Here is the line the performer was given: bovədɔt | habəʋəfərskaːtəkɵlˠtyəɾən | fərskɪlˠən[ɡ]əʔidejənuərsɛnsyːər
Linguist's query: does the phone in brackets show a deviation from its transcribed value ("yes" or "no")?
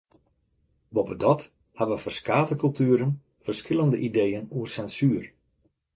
yes